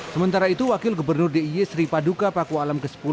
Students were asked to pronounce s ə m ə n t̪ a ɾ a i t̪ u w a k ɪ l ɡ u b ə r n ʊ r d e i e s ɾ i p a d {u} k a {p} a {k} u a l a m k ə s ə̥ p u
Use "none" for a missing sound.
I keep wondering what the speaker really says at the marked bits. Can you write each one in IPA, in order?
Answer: u, p, k

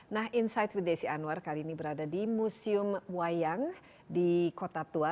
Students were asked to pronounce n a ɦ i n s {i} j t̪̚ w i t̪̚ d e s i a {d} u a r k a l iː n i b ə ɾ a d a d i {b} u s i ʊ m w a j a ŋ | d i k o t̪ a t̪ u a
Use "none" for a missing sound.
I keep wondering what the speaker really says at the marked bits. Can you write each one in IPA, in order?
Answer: a, n, m

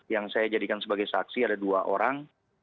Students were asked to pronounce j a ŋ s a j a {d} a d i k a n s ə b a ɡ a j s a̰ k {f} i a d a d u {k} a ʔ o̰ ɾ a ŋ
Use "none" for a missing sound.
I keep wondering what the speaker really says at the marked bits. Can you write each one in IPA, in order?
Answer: d͡ʒ, s, none

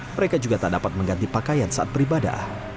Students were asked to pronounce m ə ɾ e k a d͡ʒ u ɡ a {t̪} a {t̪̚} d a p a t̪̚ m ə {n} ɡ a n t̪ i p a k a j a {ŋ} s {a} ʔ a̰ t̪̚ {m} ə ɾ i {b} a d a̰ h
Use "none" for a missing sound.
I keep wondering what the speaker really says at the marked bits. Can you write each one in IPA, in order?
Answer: t̪, none, ŋ, n, a, b, b

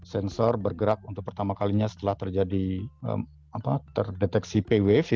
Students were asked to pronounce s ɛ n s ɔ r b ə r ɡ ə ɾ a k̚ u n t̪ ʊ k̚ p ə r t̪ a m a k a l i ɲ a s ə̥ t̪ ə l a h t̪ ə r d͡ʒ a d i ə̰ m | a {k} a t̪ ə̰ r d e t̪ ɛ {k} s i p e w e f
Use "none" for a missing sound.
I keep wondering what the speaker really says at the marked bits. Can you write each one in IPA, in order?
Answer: p, k

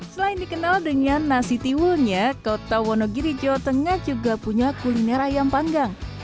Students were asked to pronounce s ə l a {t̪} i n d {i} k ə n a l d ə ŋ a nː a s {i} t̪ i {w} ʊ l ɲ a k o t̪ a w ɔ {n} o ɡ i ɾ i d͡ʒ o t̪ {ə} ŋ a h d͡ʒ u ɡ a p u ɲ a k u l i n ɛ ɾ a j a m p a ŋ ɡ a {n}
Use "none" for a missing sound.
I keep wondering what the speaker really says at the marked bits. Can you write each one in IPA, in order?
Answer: none, i, i, w, n, ə, ŋ

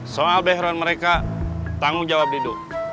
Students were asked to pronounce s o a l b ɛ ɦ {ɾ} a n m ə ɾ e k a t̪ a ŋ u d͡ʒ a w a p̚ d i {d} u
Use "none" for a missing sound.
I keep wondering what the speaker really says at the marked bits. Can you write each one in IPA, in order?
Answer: ɾ, d

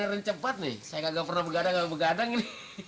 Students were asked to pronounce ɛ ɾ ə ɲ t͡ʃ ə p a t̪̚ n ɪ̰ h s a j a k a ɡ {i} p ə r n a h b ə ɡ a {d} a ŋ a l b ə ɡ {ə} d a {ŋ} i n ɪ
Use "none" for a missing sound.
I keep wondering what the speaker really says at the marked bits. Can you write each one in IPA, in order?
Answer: a, d, a, ŋ

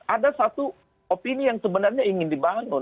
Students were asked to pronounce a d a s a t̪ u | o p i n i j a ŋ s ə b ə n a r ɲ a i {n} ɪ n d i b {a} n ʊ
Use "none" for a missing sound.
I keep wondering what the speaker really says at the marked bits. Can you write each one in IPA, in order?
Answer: ŋ, a

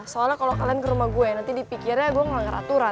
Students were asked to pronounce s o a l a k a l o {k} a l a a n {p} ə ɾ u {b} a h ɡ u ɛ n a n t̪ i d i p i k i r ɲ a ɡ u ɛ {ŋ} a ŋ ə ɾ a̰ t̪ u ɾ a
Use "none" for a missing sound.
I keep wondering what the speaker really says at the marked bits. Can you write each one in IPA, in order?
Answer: k, k, m, ŋ

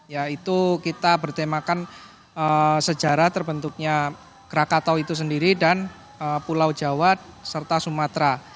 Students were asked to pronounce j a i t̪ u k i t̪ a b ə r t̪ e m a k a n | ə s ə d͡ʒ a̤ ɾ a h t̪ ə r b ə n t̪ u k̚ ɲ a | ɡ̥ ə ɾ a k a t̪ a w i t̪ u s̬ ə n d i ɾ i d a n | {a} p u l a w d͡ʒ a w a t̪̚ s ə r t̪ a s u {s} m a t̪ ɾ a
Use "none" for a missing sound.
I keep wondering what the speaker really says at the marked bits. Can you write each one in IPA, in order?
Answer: ə, none

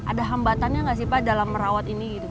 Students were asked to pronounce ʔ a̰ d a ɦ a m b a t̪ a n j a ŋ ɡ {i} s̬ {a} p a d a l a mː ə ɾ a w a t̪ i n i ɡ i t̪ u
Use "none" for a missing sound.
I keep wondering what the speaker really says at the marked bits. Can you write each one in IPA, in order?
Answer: a, i

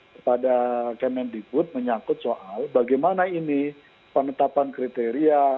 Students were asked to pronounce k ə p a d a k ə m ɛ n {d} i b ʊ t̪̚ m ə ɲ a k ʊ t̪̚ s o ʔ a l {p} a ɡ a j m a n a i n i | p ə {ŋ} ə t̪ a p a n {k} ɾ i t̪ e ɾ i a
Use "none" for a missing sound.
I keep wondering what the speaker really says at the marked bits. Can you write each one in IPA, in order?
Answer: d, b, n, k

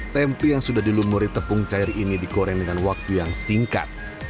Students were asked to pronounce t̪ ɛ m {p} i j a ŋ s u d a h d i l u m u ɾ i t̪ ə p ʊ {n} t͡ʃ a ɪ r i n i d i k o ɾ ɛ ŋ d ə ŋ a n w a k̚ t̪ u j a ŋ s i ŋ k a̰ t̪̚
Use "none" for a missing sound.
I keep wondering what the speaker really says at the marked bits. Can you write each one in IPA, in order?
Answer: p, ŋ

